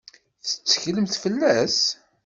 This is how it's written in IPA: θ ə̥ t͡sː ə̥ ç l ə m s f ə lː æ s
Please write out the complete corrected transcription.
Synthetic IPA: θ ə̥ t͡sː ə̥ ç l ə m θ f ə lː æ s

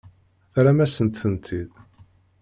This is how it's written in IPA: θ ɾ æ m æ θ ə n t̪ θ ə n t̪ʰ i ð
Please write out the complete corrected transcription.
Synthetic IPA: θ ɾ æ m æ s ə n t̪ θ ə n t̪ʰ i ð

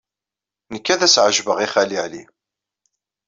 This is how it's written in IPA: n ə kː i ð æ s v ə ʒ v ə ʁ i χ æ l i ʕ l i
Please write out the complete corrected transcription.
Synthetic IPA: n ə kː æ ð æ s ʕ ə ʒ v ə ʁ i χ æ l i ʕ l i

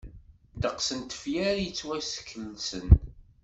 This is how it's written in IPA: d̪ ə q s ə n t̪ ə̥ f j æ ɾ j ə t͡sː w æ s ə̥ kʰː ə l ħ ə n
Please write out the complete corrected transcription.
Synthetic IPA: d̪ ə q s ə n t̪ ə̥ f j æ ɾ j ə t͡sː w æ s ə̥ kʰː ə l s ə n

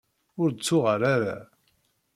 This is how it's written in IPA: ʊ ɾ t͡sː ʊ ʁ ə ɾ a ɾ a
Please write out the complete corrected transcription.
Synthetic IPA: ʊ ɾ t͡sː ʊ ʁ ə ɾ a ɾ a

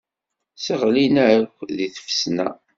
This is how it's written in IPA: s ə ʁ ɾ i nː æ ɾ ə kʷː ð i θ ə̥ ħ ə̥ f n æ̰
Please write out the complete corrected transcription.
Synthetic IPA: s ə ʁ l i n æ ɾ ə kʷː ð i θ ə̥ f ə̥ s n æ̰

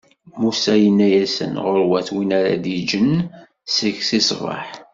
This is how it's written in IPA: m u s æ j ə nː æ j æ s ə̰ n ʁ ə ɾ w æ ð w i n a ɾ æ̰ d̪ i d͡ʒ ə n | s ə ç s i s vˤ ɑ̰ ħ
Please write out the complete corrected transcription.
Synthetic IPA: m u s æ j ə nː æ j æ s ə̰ n ʁ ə ɾ w æ θ w i n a ɾ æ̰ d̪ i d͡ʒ ə n | s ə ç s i s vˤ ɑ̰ ħ

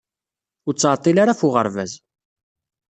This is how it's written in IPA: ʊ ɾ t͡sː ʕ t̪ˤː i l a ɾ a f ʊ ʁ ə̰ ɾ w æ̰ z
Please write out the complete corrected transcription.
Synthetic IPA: ʊ ɾ t͡sː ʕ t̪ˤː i l a ɾ a f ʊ ʁ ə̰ ɾ v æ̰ z

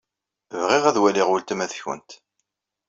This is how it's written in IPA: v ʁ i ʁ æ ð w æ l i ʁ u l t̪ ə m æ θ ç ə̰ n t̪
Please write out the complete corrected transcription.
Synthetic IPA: v ʁ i ʁ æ ð w æ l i ʁ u l t̪ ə m æ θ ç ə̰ n t̪

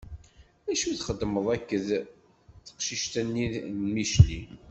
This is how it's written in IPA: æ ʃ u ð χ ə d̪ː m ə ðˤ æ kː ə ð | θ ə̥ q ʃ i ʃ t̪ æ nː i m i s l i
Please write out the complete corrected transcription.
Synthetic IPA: æ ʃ u θ χ ə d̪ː m ə ðˤ æ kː ə ð | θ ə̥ q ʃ i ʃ t̪ æ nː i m i ʃ l i

